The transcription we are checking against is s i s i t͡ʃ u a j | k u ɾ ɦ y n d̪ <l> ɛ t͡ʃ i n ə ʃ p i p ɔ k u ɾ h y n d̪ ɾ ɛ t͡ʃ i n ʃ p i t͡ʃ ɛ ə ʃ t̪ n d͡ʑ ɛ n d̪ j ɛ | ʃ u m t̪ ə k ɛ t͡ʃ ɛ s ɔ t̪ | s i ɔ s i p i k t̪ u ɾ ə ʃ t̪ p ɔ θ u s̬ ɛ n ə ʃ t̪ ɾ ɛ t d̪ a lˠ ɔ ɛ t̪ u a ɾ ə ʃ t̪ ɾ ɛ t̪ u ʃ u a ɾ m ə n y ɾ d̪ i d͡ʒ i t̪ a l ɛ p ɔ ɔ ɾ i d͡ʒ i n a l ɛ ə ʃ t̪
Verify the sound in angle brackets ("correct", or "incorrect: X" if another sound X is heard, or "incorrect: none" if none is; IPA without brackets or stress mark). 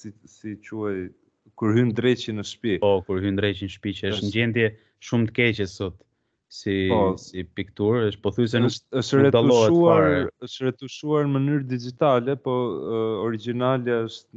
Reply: incorrect: ɾ